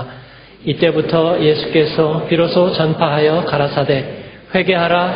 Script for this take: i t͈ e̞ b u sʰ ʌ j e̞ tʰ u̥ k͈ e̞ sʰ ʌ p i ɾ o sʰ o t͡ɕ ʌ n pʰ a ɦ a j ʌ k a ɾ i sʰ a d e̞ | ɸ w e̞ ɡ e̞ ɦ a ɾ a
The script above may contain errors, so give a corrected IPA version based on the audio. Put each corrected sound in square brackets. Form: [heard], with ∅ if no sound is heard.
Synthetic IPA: i t͈ e̞ b u [tʰ] ʌ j e̞ [sʰ] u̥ k͈ e̞ sʰ ʌ p i ɾ o sʰ o t͡ɕ ʌ n pʰ a ɦ a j ʌ k a ɾ [a] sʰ a d e̞ | ɸ w e̞ ɡ e̞ ɦ a ɾ a